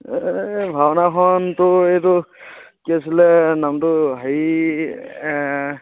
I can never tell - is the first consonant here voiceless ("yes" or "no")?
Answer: no